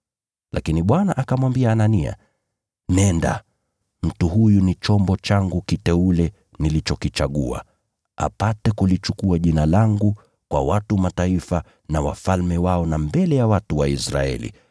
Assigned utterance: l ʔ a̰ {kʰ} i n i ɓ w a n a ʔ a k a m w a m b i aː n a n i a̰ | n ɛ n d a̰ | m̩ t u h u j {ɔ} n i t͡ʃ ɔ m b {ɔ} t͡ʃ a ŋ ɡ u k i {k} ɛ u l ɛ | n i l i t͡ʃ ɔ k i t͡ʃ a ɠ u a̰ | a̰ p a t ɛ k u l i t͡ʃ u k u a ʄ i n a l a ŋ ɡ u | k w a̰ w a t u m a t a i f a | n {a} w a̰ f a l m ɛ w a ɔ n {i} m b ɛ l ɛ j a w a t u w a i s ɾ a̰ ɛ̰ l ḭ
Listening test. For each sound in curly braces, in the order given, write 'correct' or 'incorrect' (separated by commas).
incorrect, incorrect, correct, incorrect, correct, incorrect